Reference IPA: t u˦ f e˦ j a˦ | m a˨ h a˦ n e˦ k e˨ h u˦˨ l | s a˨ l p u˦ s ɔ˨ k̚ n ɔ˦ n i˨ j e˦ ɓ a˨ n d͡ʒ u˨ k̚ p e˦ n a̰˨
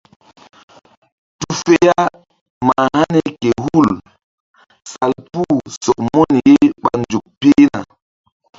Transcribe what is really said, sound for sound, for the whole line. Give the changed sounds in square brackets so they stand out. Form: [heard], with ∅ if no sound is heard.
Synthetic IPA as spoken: t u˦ f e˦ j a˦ | m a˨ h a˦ n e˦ k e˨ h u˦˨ l | s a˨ l p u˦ s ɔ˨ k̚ [m] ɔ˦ n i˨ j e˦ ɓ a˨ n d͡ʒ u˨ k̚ p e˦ n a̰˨

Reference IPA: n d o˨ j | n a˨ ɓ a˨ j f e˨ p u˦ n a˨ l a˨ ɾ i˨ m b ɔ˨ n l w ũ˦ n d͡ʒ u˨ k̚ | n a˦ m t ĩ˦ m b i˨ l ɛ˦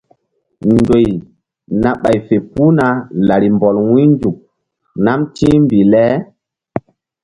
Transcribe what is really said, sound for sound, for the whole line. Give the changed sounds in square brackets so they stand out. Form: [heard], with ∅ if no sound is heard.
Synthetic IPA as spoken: n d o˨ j | n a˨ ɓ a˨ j f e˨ p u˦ n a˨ l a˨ ɾ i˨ m b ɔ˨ [∅] l w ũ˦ n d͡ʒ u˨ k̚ | n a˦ m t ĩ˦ m b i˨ l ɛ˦

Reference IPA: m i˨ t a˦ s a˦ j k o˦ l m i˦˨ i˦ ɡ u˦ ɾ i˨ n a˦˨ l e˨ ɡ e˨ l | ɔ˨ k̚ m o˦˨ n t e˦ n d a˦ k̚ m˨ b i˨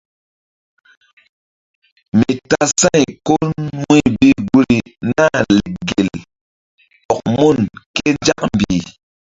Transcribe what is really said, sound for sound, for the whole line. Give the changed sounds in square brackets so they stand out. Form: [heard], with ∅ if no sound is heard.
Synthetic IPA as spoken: m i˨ t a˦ s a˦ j k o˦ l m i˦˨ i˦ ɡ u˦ ɾ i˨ n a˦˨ l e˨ ɡ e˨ l | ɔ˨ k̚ m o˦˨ n [k] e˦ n [d͡ʒ] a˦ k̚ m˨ b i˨

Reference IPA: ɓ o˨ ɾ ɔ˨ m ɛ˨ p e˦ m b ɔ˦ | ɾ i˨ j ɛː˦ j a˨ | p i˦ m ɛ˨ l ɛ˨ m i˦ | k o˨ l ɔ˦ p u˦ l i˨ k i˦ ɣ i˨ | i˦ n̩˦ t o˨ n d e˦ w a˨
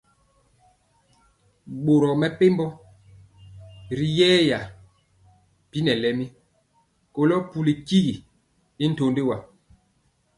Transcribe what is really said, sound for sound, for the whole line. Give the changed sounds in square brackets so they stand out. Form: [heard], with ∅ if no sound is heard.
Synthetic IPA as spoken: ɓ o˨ ɾ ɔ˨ m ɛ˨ p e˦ m b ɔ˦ | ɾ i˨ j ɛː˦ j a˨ | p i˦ [n] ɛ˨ l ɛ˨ m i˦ | k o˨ l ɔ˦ p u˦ l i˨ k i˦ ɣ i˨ | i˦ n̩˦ t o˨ n d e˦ w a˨

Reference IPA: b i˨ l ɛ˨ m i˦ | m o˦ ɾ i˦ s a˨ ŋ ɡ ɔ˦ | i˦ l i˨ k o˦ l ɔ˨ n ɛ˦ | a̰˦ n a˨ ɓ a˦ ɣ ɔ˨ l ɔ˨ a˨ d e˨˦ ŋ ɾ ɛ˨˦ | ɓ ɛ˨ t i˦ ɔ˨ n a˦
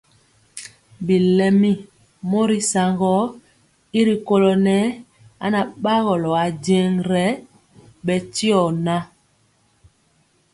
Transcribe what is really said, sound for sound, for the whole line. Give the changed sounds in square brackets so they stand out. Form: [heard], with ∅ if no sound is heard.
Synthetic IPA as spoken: b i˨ l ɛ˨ m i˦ | m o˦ ɾ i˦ s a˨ ŋ ɡ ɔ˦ | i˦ [ɾ] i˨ k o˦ l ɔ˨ n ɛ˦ | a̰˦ n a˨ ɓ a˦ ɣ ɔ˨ l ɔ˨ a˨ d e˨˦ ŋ ɾ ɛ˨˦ | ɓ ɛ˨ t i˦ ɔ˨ n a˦

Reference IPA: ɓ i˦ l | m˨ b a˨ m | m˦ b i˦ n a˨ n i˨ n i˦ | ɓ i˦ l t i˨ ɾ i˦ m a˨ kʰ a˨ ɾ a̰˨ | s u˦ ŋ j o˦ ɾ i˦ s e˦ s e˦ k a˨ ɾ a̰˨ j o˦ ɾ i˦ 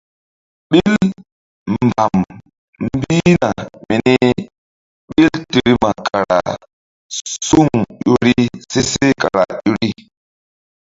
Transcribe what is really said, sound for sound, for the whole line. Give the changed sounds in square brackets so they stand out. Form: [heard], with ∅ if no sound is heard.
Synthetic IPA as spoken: ɓ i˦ l | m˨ b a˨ m | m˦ b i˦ n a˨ [m] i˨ n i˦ | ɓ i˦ l t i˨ ɾ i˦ m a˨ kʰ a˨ ɾ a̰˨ | s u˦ ŋ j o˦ ɾ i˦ s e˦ s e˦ k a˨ ɾ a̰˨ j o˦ ɾ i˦

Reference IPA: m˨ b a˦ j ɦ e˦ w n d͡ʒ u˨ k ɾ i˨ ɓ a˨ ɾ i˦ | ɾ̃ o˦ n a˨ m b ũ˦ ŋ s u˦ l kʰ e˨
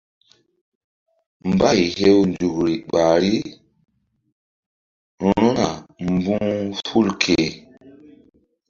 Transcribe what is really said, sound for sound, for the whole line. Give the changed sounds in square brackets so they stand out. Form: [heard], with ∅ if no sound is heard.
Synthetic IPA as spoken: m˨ b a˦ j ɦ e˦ w n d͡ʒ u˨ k ɾ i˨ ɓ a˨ ɾ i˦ | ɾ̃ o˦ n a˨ m b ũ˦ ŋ [f] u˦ l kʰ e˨

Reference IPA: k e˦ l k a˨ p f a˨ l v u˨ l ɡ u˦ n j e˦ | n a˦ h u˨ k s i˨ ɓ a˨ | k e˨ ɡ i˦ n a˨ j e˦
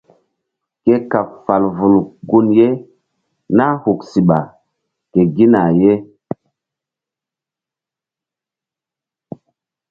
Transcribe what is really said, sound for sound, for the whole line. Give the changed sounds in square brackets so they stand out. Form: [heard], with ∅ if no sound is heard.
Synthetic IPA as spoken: k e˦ [∅] k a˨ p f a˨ l v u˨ l ɡ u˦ n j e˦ | n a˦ h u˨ k s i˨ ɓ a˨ | k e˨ ɡ i˦ n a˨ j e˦

